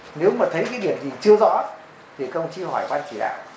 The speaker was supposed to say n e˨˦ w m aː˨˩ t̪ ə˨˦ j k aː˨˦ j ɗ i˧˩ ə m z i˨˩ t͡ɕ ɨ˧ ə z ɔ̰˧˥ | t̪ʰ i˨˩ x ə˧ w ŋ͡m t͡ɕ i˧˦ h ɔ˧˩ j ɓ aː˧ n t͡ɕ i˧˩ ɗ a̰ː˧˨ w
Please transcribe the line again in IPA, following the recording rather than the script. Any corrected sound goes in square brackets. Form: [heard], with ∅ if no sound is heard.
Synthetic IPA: n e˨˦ w m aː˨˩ [t̪ʰ] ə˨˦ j k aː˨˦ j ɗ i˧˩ ə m z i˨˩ t͡ɕ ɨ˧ ə z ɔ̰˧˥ | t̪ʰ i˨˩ x ə˧ w ŋ͡m t͡ɕ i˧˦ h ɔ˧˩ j ɓ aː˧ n t͡ɕ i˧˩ ɗ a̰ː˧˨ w